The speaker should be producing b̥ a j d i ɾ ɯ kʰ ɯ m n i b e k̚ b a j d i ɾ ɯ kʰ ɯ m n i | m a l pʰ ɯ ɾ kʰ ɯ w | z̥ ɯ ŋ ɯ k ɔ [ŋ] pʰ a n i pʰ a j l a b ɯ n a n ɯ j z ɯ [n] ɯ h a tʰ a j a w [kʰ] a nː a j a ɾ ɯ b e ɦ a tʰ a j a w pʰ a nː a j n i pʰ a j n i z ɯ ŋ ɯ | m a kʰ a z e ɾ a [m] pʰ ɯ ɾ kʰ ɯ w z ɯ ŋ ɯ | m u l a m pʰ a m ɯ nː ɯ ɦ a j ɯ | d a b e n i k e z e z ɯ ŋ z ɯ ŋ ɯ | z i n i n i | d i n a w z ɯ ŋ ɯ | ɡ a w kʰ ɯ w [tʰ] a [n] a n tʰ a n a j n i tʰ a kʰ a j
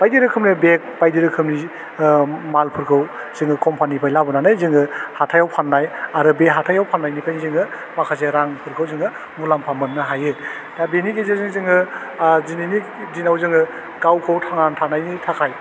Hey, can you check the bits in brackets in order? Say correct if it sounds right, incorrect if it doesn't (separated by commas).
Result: incorrect, incorrect, incorrect, incorrect, correct, incorrect